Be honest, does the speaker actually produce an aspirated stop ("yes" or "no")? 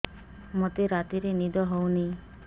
no